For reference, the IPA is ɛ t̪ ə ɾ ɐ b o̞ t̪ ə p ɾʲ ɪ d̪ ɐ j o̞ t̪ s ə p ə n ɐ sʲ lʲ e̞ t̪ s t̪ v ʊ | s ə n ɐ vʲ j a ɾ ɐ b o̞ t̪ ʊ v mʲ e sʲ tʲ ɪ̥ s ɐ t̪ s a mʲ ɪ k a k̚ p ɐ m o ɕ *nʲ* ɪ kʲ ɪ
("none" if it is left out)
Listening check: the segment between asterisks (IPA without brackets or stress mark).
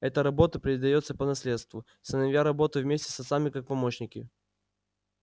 nʲ